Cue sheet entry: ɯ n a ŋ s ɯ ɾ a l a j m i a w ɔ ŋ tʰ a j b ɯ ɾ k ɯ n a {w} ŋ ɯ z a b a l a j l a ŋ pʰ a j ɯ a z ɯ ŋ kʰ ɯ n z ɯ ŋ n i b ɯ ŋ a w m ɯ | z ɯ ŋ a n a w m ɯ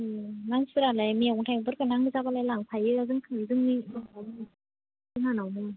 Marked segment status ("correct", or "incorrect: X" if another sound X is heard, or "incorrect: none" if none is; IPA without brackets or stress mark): incorrect: none